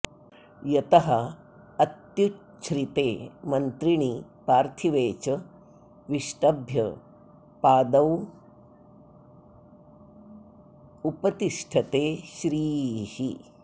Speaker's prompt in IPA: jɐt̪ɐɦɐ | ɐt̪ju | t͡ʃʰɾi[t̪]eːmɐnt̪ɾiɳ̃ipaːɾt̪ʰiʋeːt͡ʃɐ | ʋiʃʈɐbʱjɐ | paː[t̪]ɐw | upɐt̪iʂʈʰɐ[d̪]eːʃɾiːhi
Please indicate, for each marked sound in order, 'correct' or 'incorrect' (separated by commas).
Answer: correct, incorrect, incorrect